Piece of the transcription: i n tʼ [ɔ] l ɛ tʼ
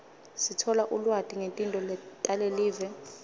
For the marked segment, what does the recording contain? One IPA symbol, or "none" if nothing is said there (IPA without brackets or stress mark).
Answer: ɔ